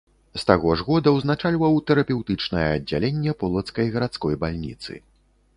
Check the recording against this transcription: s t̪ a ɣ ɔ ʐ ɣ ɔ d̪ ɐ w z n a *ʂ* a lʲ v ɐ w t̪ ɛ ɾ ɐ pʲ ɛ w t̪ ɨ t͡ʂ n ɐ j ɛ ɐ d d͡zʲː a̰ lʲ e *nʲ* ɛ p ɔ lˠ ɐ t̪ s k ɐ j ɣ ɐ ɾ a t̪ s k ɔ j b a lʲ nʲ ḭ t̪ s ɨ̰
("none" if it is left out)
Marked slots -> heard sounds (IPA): t͡ʂ, nʲː

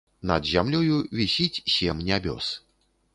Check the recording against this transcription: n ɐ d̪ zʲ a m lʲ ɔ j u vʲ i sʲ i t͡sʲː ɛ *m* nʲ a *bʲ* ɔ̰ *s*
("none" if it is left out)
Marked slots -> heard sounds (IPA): m, bʲ, s

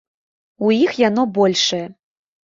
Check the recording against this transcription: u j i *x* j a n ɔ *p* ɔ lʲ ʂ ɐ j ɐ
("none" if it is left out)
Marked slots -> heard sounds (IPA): x, b

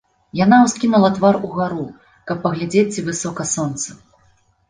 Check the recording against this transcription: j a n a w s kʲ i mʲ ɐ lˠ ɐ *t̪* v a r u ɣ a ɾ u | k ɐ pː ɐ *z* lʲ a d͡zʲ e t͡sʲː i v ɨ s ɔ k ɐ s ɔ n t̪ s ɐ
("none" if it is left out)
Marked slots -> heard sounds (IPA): t̪, ɣ

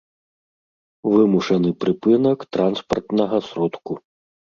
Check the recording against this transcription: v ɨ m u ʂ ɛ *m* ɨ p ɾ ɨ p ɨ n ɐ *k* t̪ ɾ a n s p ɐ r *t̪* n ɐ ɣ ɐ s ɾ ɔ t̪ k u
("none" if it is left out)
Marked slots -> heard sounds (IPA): n, k, t̪

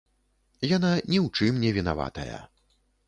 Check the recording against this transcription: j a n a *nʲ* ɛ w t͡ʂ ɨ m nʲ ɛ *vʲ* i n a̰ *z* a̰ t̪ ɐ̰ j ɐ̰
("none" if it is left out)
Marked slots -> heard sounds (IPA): nʲ, vʲ, v

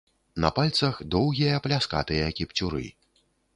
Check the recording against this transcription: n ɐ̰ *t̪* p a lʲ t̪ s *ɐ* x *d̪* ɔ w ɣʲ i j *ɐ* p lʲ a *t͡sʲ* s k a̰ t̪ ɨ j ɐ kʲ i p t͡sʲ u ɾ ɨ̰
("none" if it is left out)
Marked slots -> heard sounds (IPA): none, ɐ, d̪, ɐ, none

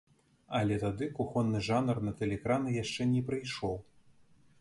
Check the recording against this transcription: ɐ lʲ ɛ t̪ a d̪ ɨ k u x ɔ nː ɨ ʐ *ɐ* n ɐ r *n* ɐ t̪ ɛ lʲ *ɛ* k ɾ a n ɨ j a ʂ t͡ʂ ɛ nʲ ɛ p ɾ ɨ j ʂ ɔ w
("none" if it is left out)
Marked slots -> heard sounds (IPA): a, n, ɛ

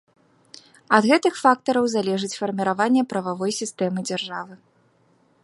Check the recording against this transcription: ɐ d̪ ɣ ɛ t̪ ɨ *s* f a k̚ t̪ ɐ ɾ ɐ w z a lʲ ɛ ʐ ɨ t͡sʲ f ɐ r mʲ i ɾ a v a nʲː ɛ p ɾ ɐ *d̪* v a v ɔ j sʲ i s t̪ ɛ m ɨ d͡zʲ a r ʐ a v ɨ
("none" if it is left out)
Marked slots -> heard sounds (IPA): x, none

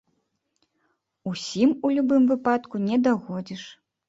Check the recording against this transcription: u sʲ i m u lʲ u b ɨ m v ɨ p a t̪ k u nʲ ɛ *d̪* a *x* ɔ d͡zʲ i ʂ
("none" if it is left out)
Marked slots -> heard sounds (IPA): d̪, ɣ

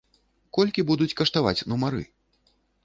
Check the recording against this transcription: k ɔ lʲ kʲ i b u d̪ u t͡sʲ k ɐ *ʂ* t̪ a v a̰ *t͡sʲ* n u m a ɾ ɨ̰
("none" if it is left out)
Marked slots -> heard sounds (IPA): ʂ, t͡sʲ

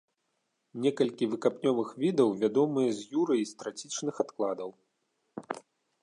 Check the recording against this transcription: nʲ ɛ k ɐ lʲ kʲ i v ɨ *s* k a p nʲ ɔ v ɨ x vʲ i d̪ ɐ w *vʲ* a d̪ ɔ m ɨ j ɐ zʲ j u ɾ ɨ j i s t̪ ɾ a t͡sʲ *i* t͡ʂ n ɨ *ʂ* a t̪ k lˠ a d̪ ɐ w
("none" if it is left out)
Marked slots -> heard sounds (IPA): none, vʲ, i, x

